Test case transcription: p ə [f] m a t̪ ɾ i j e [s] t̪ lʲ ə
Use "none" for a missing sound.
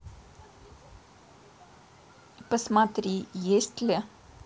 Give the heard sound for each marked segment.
s, s

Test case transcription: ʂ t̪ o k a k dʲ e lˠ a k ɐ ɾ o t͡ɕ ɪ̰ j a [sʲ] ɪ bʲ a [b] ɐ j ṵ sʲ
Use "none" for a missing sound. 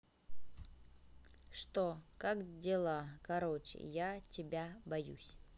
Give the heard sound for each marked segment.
tʲ, b

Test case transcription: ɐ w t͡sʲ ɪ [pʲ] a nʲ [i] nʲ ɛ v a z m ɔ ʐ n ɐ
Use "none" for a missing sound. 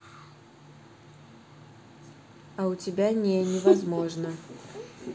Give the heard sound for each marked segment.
bʲ, ɛ

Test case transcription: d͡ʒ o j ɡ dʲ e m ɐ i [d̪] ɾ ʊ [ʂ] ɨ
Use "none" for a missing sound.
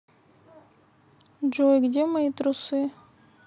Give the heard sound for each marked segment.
t̪, s

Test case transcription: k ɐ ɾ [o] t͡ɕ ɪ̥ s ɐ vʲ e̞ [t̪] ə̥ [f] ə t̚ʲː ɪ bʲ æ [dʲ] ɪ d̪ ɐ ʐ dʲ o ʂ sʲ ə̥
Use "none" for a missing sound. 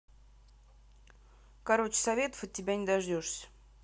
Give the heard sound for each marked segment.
o, t̪, f, nʲ

